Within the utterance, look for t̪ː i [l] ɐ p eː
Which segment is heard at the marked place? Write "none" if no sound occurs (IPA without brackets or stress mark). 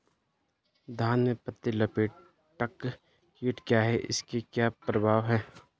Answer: l